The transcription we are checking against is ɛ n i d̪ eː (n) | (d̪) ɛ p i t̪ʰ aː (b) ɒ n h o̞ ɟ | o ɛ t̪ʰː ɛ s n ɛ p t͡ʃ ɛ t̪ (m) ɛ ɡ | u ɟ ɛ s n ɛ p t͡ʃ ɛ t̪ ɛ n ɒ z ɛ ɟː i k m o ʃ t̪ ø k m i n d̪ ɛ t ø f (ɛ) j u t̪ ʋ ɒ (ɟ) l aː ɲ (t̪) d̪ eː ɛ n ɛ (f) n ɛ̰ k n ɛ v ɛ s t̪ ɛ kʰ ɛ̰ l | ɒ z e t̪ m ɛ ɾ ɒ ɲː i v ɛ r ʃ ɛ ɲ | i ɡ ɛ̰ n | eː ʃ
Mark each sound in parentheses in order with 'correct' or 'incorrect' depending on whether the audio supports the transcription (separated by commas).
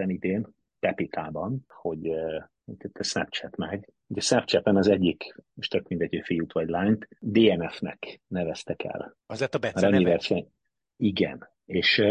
correct, incorrect, correct, correct, incorrect, correct, correct, correct